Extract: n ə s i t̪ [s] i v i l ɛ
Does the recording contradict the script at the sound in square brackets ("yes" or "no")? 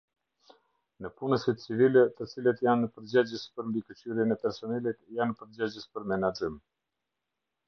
yes